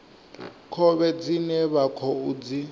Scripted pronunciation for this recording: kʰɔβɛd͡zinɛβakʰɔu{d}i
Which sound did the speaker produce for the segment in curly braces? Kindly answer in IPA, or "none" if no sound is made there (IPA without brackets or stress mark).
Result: d͡z